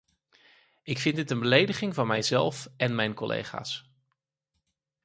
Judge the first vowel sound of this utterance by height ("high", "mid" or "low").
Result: high